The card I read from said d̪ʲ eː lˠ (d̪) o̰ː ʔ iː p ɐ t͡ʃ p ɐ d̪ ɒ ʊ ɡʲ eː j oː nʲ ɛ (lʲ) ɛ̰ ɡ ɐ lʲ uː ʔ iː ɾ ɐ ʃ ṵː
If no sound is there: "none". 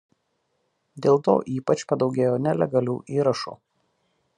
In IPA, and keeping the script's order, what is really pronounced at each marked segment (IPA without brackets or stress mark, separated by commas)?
t̪, lʲ